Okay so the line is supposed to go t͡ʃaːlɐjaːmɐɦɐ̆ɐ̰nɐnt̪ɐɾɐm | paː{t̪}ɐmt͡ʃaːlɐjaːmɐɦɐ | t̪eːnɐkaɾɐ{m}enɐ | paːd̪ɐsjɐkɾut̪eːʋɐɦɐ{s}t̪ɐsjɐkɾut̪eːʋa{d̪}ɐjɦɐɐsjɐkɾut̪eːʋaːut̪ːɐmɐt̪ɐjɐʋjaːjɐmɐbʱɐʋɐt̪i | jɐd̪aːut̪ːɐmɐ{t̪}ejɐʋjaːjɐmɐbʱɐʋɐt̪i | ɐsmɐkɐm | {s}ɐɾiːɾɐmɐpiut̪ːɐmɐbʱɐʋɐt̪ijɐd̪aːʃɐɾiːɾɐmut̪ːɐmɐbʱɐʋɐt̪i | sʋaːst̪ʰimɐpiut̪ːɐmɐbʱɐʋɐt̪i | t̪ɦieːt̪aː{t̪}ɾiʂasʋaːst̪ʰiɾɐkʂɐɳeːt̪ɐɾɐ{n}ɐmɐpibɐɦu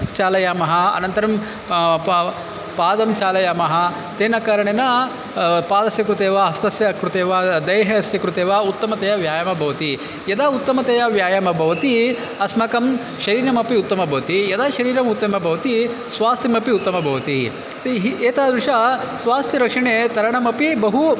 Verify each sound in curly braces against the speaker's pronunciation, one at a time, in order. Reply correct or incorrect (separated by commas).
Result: incorrect, incorrect, correct, correct, correct, incorrect, incorrect, incorrect